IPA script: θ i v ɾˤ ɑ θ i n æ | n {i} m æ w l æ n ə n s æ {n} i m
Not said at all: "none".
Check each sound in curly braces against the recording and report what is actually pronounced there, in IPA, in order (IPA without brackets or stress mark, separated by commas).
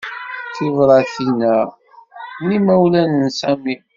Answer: i, m